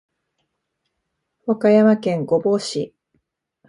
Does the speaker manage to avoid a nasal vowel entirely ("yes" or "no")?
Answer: no